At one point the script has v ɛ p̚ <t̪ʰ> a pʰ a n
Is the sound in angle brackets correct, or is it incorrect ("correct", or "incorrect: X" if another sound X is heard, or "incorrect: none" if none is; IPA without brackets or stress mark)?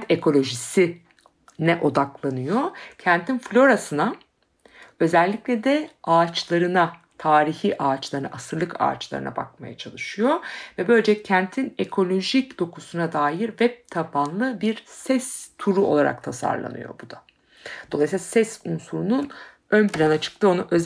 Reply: correct